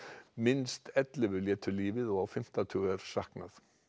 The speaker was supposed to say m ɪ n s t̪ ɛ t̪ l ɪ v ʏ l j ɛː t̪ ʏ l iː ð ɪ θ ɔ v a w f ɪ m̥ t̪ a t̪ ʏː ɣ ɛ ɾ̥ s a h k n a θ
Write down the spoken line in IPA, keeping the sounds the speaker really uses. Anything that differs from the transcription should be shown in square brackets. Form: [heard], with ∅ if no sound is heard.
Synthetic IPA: m ɪ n s t̪ ɛ t̪ l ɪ v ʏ l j ɛː t̪ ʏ l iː [v] ɪ [ð] ɔ [ɣ] a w f ɪ m̥ t̪ a [t̪ʰ] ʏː ɣ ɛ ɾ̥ s a h k n a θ